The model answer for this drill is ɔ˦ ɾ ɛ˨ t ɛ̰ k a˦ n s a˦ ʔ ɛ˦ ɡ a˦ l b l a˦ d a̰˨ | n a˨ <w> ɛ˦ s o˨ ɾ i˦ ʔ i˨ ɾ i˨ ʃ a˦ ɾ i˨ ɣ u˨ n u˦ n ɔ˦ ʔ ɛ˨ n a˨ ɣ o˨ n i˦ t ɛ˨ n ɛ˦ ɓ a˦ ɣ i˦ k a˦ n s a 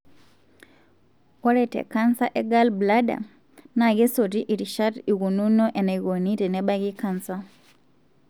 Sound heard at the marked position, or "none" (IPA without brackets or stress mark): ɣ